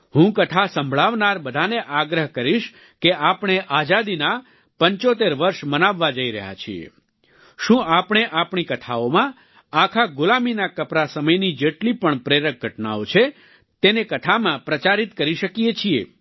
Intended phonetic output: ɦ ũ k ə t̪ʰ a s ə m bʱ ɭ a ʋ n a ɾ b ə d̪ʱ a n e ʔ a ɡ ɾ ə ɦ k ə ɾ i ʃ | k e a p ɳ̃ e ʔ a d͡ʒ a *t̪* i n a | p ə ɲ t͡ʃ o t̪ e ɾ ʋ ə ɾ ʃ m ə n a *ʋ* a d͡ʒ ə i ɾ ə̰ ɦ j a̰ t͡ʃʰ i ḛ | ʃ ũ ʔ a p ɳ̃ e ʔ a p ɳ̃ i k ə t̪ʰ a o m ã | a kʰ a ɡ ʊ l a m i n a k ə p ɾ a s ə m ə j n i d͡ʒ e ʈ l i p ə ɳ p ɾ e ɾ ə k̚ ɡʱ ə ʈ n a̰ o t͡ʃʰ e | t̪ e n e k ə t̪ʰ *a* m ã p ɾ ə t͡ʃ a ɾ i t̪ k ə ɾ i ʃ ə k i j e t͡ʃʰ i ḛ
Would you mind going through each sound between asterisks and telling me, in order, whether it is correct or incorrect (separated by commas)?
incorrect, incorrect, correct